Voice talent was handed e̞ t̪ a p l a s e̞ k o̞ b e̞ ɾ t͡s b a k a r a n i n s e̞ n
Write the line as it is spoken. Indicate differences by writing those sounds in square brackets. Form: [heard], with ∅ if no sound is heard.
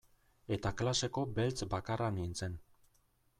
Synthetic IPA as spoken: e̞ t̪ a [k] l a s e̞ k o̞ b e̞ [l] t͡s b a k a r a n i n [t͡s] e̞ n